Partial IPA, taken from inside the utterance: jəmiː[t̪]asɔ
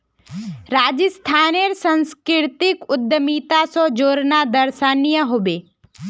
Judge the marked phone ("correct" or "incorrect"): correct